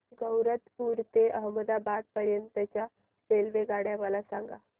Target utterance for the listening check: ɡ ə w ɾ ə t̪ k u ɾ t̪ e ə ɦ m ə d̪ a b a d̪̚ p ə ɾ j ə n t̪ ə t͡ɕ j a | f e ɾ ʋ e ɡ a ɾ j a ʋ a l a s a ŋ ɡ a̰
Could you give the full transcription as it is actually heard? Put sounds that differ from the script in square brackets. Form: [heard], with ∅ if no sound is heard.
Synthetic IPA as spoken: ɡ ə w ɾ ə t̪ [p] u ɾ t̪ e ə ɦ m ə d̪ a b a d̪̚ p ə ɾ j ə n t̪ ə t͡ɕ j a | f e [l] ʋ e ɡ a [ɽ] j a ʋ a l a s a ŋ ɡ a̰